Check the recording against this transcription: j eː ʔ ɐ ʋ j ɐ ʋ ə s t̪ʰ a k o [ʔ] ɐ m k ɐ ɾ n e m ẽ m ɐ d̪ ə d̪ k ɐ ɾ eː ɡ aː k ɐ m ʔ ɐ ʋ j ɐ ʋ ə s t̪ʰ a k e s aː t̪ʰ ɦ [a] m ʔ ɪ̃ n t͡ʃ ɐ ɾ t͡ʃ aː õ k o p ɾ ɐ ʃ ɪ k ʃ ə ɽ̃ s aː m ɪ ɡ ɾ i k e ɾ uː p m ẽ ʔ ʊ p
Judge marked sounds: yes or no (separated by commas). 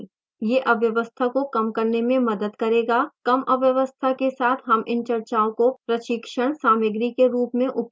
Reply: no, no